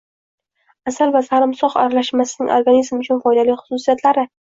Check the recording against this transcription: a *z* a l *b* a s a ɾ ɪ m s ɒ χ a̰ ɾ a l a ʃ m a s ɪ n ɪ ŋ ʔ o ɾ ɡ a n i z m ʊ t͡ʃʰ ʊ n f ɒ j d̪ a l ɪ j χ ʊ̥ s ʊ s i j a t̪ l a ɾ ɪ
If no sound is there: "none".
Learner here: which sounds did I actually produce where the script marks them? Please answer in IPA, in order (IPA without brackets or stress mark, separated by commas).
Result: s, v